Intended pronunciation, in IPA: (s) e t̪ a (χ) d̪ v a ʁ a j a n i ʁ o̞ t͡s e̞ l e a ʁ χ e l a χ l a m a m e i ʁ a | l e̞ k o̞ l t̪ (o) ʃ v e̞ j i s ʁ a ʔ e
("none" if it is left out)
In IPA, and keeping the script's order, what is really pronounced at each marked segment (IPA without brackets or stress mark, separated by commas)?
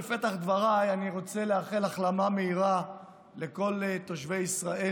f, χ, o